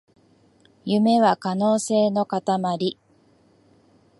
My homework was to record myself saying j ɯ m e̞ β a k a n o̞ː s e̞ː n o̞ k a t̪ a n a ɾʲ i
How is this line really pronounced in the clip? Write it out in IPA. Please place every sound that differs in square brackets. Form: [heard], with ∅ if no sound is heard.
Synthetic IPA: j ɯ m e̞ β a k a n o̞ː s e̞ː n o̞ k a t̪ a [m] a ɾʲ i